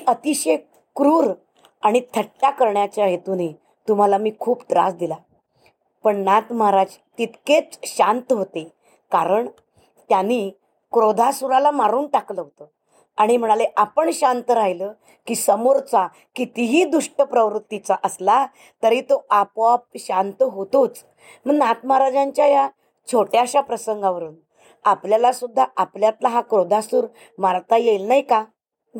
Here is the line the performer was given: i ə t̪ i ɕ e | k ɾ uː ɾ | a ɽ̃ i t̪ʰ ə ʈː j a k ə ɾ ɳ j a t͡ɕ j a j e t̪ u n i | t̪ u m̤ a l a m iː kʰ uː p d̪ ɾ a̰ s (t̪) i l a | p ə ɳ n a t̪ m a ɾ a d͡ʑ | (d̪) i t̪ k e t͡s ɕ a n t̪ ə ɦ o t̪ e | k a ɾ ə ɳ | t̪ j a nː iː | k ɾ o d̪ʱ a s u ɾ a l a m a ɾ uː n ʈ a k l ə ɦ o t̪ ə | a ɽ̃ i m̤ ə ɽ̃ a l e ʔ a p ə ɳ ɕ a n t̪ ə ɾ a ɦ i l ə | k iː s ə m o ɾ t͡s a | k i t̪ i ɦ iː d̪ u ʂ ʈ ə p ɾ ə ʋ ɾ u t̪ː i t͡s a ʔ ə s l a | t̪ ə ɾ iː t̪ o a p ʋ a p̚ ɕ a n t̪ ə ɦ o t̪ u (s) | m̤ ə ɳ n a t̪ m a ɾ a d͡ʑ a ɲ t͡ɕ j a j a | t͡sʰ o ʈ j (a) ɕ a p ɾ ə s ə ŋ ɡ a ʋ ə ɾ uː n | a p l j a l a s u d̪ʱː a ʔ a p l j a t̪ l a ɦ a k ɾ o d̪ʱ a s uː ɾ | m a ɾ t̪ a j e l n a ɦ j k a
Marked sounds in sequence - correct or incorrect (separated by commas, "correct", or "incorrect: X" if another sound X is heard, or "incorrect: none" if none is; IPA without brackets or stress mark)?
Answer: incorrect: d̪, incorrect: t̪, incorrect: t͡s, correct